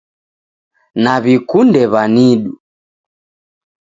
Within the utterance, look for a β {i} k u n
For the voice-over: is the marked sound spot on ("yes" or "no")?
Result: yes